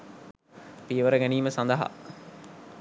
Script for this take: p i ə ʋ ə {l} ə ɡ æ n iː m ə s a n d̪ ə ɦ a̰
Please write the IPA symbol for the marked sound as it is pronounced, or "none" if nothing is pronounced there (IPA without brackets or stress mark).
ɾ